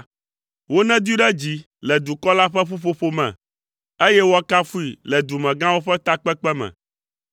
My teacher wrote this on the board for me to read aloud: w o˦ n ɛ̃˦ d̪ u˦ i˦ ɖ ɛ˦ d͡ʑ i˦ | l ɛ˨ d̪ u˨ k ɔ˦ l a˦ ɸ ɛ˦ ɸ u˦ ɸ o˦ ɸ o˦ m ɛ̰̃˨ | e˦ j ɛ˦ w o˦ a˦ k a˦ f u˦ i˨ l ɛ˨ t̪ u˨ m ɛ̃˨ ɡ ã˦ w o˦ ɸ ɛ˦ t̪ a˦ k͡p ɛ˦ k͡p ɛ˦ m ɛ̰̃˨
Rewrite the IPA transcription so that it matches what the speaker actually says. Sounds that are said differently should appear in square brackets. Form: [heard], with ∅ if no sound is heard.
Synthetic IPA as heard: w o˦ n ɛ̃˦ d̪ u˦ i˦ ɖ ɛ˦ d͡ʑ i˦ | l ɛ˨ d̪ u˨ k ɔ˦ l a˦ ɸ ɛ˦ ɸ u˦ ɸ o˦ ɸ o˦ m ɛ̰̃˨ | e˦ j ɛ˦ w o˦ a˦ k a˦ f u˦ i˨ l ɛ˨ [d̪] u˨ m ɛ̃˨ ɡ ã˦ w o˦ ɸ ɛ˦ t̪ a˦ k͡p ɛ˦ k͡p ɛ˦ m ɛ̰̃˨